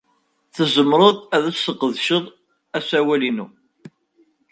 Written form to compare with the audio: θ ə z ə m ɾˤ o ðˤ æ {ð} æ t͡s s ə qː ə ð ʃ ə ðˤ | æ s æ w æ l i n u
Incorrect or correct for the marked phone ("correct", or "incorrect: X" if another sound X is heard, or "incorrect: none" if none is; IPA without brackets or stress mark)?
correct